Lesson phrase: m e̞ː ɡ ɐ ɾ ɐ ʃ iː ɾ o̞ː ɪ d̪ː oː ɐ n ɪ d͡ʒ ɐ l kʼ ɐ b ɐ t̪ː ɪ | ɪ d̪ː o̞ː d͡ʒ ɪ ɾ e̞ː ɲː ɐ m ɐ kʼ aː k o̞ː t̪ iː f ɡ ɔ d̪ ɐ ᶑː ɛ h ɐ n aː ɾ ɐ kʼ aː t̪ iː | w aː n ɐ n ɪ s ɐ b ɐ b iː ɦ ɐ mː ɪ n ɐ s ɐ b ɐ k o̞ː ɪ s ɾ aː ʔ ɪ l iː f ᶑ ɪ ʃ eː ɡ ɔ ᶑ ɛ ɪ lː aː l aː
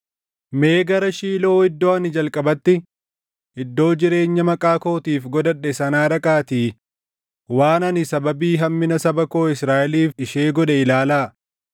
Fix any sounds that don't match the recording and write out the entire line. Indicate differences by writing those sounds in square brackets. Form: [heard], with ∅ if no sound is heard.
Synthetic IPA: m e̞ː ɡ ɐ ɾ ɐ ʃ iː [l] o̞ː ɪ d̪ː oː ɐ n ɪ d͡ʒ ɐ l kʼ ɐ b ɐ t̪ː ɪ | ɪ d̪ː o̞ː d͡ʒ ɪ ɾ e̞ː ɲː ɐ m ɐ kʼ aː k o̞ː t̪ iː f ɡ ɔ d̪ ɐ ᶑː ɛ [s] ɐ n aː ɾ ɐ kʼ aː t̪ iː | w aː n ɐ n ɪ s ɐ b ɐ b iː ɦ ɐ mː ɪ n ɐ s ɐ b ɐ k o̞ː ɪ s ɾ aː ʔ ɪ l iː f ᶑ ɪ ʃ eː ɡ ɔ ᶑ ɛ ɪ [l] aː l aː

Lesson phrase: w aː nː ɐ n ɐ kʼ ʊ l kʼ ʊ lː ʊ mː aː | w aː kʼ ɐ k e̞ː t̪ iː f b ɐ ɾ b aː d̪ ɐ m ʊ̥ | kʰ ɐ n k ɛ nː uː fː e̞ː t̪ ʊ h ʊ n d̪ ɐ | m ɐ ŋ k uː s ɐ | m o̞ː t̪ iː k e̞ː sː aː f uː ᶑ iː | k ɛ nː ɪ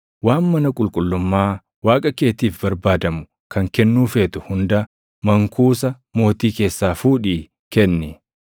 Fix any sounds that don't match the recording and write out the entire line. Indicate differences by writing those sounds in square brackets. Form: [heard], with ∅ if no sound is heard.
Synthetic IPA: w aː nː ɐ n ɐ kʼ ʊ l kʼ ʊ lː ʊ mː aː | w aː kʼ ɐ k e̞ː t̪ iː f b ɐ ɾ b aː d̪ ɐ m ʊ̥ | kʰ ɐ [ŋ] k ɛ nː uː [f] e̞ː t̪ ʊ h ʊ n d̪ ɐ | m ɐ ŋ k uː s ɐ | m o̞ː t̪ iː k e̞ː sː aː f uː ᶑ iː | k ɛ nː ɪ

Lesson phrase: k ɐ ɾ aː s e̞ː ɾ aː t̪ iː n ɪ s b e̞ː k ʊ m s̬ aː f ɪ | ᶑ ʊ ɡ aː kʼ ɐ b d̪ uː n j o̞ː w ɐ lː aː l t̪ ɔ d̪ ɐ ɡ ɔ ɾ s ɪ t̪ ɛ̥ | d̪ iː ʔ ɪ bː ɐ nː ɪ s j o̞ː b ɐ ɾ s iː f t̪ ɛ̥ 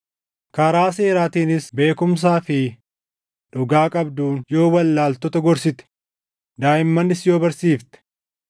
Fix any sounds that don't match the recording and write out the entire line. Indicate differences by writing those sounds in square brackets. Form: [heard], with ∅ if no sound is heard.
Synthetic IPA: k ɐ ɾ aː s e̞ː ɾ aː t̪ iː n ɪ s b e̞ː k ʊ m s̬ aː f ɪ | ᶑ ʊ ɡ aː kʼ ɐ b d̪ uː n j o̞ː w ɐ lː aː l t̪ ɔ [t̪] ɐ ɡ ɔ ɾ s ɪ t̪ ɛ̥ | d̪ [aː] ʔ ɪ [mː] ɐ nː ɪ s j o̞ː b ɐ ɾ s iː f t̪ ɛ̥

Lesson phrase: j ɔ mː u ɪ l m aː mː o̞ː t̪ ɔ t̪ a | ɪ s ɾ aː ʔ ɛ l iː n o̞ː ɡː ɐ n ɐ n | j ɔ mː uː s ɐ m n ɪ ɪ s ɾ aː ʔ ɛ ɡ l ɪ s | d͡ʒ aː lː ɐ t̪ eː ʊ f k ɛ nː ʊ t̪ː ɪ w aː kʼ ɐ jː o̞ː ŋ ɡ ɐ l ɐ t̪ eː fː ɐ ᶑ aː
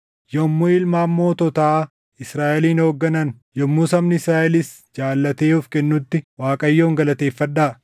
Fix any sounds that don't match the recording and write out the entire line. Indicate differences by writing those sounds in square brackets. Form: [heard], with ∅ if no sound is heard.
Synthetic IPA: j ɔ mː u ɪ l m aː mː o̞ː t̪ ɔ t̪ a | ɪ s ɾ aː ʔ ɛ l iː n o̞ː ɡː ɐ n ɐ n | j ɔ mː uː s ɐ m n ɪ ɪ s ɾ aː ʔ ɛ [∅] l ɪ s | d͡ʒ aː lː ɐ t̪ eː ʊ f k ɛ nː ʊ t̪ː ɪ w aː kʼ ɐ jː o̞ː ŋ ɡ ɐ l ɐ t̪ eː fː ɐ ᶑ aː

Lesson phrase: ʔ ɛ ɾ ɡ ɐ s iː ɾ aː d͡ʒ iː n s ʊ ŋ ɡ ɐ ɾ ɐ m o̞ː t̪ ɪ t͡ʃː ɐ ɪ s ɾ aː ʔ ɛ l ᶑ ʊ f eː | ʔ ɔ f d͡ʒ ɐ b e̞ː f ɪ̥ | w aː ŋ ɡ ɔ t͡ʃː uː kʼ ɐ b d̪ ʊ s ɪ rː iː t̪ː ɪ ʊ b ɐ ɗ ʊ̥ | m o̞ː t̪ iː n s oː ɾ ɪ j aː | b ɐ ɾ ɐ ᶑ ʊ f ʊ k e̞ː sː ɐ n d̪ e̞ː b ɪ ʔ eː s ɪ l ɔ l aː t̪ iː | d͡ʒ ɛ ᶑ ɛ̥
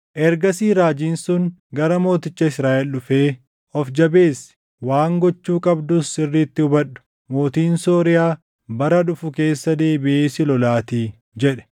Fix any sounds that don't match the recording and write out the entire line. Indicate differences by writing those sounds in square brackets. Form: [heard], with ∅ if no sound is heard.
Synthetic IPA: ʔ ɛ ɾ ɡ ɐ s iː ɾ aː d͡ʒ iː n s ʊ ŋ ɡ ɐ ɾ ɐ m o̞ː t̪ ɪ t͡ʃː ɐ ɪ s ɾ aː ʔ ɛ l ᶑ ʊ f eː | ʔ ɔ f d͡ʒ ɐ b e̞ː [s] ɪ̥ | w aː ŋ ɡ ɔ t͡ʃː uː kʼ ɐ b d̪ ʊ s ɪ rː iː t̪ː ɪ ʊ b ɐ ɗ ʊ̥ | m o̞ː t̪ iː n s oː ɾ ɪ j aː | b ɐ ɾ ɐ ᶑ ʊ f ʊ k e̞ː sː ɐ [∅] d̪ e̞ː b ɪ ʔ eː s ɪ l ɔ l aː t̪ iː | d͡ʒ ɛ ᶑ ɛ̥

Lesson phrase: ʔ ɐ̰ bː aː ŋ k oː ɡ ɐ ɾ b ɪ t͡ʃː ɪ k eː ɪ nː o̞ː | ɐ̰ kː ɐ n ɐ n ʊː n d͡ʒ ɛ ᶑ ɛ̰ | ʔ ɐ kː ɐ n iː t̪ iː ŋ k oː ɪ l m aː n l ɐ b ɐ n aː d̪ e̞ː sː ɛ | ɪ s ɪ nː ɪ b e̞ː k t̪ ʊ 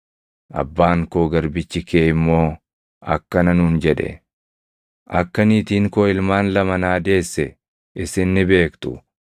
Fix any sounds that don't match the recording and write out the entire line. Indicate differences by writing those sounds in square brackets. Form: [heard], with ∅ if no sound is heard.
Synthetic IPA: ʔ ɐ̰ bː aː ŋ k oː ɡ ɐ ɾ b ɪ t͡ʃː ɪ k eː ɪ [mː] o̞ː | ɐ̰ kː ɐ n ɐ n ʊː n d͡ʒ ɛ ᶑ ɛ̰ | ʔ ɐ kː ɐ n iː t̪ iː ŋ k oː ɪ l m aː n l ɐ [m] ɐ n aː d̪ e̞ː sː ɛ | ɪ s ɪ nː ɪ b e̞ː k t̪ ʊ

